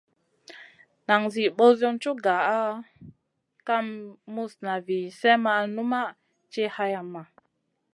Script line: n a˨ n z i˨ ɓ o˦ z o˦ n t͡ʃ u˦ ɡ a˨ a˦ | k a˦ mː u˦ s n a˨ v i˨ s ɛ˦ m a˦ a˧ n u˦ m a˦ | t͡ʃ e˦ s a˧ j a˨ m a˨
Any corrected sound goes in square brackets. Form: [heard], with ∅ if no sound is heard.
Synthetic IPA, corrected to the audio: n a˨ [ŋ] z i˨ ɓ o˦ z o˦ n t͡ʃ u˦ ɡ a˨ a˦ | k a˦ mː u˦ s n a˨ v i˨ s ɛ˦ m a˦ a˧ n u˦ m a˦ | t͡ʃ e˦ [h] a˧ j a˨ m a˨